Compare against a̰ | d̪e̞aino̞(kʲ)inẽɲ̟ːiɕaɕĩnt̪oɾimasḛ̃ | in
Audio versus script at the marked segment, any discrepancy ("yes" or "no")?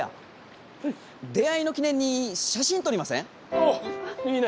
no